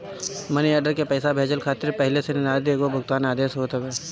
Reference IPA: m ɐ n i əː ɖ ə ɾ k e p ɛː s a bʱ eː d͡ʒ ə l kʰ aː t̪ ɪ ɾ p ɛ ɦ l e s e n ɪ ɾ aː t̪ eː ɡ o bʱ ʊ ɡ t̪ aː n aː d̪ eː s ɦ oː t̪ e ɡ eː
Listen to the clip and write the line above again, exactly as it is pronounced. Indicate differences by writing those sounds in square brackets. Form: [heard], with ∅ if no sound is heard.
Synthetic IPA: m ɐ n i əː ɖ ə ɾ k e p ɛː s a bʱ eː d͡ʒ ə l kʰ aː t̪ ɪ ɾ p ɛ ɦ l e s e n ɪ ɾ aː [d̪] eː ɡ o bʱ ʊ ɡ t̪ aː n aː d̪ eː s ɦ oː t̪ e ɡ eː